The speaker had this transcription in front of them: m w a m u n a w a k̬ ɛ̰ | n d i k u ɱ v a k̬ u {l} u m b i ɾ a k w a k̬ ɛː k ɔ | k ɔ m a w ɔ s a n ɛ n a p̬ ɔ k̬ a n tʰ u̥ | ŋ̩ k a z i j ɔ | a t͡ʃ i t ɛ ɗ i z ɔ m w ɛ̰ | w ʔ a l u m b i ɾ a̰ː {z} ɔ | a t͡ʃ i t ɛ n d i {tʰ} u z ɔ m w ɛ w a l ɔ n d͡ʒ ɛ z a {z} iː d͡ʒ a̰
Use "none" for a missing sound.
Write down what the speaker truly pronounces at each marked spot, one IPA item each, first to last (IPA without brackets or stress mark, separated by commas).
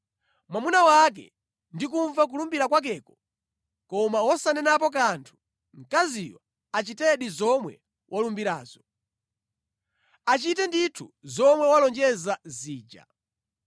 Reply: l, z, tʰ, z